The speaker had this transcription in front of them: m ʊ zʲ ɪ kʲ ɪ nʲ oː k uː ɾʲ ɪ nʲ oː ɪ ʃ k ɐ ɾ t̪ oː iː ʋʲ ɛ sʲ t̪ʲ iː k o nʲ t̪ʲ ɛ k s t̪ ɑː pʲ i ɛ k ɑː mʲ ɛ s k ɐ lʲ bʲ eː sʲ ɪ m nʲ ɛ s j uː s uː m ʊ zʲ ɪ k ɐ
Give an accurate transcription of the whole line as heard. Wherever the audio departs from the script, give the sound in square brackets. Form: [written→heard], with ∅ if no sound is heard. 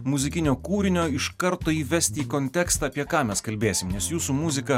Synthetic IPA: m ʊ zʲ ɪ kʲ ɪ nʲ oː k uː ɾʲ ɪ nʲ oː ɪ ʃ k ɐ ɾ t̪ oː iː ʋʲ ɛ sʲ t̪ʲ iː k o nʲ t̪ʲ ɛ k s t̪ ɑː pʲ i ɛ k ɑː mʲ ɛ s k ɐ lʲ bʲ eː sʲ ɪ m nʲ ɛ s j uː s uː m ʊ zʲ ɪ k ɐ